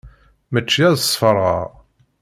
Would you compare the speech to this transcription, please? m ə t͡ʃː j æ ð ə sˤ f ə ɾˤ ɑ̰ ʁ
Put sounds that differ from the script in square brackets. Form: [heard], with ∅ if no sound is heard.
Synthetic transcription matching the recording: m ə t͡ʃː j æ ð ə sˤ f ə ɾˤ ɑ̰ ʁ